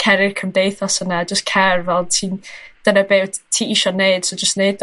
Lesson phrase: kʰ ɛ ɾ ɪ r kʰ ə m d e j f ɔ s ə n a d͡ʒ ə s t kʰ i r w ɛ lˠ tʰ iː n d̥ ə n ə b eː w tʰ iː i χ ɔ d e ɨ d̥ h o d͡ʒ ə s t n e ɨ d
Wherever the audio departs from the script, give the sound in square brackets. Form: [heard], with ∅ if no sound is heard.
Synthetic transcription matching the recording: kʰ ɛ ɾ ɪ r kʰ ə m d e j [θ] ɔ s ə n a d͡ʒ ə s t kʰ [ɛ] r [v] ɛ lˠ tʰ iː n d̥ ə n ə b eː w tʰ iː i [ʃ] ɔ [n] e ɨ d̥ [s] o d͡ʒ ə s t n e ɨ d